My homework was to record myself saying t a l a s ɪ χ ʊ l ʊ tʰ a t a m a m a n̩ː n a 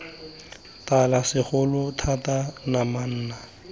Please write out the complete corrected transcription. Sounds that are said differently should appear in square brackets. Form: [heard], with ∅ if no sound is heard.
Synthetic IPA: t a l a s ɪ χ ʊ l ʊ tʰ a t a [n] a m a n̩ː n a